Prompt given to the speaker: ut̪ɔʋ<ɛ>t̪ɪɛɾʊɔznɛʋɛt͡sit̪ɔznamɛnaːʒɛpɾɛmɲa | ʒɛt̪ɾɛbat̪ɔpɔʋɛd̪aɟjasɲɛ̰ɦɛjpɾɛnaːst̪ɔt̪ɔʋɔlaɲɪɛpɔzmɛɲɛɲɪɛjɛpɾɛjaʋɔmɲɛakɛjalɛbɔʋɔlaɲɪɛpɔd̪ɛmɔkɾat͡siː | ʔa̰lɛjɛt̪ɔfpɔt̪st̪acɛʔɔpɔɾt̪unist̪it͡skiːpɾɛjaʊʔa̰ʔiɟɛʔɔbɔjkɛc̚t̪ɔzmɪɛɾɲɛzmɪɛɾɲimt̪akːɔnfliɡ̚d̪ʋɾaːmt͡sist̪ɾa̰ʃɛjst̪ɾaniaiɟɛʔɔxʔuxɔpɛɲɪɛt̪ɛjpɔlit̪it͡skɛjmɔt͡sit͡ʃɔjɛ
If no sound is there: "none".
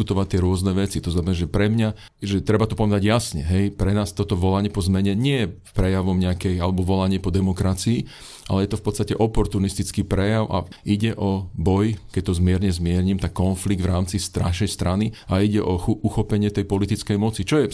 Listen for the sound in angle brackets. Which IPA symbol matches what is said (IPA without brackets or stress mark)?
a